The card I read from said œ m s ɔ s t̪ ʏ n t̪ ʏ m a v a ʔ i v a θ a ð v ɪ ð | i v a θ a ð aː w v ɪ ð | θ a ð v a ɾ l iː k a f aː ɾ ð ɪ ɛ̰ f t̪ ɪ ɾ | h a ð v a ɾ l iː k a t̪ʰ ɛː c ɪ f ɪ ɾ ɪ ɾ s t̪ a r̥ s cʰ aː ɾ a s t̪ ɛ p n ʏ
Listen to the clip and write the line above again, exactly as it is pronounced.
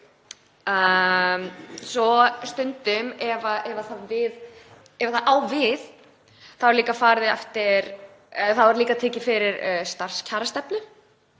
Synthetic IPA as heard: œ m s ɔ s t̪ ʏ n t̪ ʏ m ɛ v a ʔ ɛ v a θ a ð v ɪ ð | ɛ v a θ a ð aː w v ɪ ð | θ a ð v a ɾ l iː k a f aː ɾ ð ɪ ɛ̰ f t̪ ɪ ɾ | θ a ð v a ɾ l iː k a t̪ʰ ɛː c ɪ f ɪ ɾ ɪ ɾ s t̪ a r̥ s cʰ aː ɾ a s t̪ ɛ p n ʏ